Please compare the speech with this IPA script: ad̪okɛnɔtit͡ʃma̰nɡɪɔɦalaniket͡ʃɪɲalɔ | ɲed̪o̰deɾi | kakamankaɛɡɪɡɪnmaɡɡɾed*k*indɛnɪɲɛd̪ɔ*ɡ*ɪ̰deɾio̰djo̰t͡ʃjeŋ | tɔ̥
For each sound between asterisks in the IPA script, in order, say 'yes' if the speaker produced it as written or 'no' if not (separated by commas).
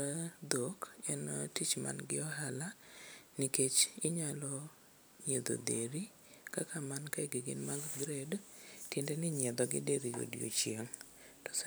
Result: no, yes